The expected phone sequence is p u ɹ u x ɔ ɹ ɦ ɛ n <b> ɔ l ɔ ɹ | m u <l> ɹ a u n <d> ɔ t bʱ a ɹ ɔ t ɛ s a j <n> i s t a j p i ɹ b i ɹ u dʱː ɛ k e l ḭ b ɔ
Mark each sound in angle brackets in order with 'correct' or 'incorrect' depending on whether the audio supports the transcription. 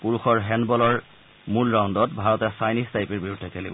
correct, correct, correct, correct

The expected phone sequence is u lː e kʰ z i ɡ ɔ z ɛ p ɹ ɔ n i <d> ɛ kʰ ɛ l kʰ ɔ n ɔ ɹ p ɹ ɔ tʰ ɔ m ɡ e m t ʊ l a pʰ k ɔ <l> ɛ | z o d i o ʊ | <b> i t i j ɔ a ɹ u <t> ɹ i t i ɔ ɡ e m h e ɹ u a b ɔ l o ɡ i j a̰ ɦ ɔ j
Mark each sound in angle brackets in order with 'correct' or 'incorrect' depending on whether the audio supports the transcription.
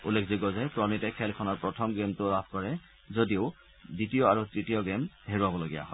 incorrect: t, incorrect: ɹ, incorrect: d, correct

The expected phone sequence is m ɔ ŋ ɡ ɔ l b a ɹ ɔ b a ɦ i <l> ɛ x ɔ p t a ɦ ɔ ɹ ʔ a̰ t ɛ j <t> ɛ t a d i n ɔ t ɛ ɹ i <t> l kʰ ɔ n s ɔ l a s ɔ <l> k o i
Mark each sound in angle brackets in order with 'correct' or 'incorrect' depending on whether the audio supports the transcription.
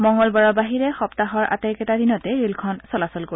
incorrect: ɹ, incorrect: k, incorrect: none, correct

